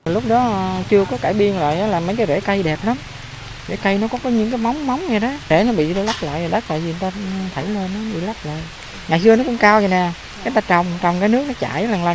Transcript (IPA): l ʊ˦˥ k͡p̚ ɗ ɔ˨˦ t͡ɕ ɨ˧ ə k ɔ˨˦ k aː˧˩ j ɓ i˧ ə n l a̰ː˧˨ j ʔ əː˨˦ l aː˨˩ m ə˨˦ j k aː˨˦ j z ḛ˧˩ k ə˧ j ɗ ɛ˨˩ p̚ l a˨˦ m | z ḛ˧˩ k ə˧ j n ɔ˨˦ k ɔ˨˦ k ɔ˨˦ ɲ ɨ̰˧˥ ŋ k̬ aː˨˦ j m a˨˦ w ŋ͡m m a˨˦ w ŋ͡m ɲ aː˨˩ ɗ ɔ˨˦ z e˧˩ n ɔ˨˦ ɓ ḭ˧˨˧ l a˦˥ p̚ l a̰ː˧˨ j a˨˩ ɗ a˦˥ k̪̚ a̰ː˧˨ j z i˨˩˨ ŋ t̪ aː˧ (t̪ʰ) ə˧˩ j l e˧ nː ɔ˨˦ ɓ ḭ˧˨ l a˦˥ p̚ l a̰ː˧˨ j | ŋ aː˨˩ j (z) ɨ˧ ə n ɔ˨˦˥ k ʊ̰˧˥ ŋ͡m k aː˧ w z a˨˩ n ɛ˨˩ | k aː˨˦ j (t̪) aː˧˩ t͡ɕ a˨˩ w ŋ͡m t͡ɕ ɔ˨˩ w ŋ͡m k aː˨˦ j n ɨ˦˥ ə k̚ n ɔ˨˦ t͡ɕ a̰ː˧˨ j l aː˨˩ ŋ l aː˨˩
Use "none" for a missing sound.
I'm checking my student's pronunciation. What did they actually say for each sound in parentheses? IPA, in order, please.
t̪ʰ, s, t̪

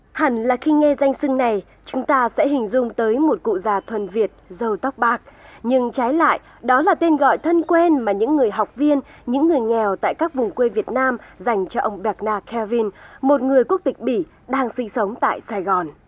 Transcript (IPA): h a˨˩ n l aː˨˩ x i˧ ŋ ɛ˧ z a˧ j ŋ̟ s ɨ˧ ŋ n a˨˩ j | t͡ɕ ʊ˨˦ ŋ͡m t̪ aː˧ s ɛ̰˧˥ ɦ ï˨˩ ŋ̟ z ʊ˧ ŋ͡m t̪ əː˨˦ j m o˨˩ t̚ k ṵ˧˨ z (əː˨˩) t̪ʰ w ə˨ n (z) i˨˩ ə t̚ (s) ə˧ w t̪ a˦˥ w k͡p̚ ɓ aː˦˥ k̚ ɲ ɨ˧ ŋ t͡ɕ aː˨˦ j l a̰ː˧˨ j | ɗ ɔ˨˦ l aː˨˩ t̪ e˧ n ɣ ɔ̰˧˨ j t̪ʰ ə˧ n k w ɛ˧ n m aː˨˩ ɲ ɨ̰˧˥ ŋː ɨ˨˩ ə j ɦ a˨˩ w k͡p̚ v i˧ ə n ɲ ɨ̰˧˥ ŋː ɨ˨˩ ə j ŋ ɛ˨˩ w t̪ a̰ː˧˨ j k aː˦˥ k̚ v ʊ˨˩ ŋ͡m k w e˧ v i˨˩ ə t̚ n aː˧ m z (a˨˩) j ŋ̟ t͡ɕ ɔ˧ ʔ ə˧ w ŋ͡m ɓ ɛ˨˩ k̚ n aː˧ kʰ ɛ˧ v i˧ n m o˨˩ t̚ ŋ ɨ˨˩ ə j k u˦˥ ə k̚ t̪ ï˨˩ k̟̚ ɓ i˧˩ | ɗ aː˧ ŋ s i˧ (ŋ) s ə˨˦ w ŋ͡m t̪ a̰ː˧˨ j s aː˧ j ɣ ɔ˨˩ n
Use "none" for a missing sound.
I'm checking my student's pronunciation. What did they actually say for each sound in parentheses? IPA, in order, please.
aː˨˩, v, z, a˨˩, ŋ

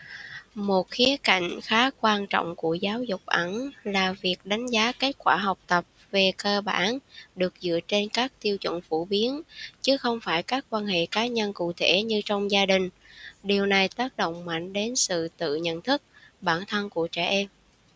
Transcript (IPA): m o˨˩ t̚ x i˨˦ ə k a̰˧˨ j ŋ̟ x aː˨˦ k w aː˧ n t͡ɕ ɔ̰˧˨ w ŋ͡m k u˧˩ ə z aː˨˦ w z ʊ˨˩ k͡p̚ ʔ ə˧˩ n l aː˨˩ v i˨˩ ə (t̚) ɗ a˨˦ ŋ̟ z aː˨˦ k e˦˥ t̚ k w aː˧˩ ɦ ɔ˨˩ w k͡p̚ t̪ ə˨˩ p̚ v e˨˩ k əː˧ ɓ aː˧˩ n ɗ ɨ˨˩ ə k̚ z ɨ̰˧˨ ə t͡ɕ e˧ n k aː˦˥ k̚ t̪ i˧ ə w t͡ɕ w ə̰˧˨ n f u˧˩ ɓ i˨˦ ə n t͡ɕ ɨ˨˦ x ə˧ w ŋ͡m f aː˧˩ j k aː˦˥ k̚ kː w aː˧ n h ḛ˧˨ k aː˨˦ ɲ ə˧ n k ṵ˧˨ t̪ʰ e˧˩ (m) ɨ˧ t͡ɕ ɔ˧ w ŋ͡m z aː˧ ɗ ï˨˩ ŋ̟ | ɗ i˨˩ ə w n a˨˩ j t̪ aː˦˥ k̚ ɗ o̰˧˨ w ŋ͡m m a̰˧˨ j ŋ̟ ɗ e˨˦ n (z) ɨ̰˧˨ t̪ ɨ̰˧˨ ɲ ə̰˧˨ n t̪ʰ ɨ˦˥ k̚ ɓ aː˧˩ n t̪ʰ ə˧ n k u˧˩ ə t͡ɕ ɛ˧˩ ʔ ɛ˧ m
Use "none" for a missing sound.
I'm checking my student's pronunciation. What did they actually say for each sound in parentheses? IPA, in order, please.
k̚, ɲ, s

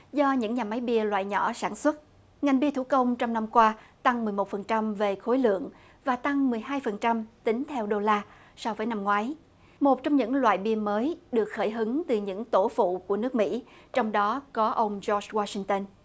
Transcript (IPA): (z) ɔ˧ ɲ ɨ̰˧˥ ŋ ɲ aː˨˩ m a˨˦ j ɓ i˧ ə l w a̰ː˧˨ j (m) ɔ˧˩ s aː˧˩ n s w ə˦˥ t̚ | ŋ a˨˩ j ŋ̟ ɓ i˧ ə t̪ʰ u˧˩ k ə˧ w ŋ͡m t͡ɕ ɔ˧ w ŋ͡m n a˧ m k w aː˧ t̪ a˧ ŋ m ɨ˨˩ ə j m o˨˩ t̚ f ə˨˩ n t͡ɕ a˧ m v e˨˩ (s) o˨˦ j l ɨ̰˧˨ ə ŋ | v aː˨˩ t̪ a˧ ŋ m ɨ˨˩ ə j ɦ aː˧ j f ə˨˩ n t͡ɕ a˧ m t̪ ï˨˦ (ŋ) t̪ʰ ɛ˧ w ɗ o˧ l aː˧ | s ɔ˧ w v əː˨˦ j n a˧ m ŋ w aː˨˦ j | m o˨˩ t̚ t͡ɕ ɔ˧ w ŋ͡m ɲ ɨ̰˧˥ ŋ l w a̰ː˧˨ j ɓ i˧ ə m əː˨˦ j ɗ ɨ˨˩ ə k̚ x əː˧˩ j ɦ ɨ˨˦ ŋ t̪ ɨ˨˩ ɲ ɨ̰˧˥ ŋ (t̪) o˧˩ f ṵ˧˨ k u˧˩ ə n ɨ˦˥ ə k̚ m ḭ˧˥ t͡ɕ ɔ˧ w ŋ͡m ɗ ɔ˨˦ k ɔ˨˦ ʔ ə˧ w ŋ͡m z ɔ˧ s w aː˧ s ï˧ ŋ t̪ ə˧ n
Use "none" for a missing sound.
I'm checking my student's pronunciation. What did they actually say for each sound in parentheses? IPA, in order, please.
z, ɲ, x, ŋ, t̪

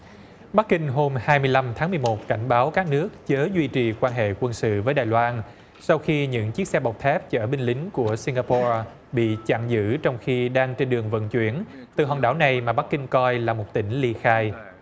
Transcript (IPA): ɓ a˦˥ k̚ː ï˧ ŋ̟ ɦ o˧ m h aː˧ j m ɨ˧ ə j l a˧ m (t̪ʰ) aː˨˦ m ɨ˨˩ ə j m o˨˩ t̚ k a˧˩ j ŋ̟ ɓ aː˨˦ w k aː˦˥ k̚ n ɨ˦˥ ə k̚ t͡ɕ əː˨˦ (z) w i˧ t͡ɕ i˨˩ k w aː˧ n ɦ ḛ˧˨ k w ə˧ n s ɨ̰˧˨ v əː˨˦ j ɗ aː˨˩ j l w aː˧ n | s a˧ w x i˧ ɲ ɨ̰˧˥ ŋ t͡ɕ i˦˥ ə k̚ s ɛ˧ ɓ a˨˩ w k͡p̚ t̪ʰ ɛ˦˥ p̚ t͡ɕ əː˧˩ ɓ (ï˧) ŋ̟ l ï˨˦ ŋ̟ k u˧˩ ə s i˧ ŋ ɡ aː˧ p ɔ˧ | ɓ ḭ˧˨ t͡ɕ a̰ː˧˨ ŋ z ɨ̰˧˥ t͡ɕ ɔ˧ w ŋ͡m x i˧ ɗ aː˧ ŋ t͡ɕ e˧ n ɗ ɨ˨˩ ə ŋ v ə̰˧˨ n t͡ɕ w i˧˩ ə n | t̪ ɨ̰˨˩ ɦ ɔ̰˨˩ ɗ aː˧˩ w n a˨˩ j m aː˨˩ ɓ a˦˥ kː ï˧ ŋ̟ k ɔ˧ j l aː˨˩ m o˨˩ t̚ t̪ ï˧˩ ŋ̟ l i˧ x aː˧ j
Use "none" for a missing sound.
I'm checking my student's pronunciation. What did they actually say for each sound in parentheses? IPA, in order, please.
t̪ʰ, z, ï˧

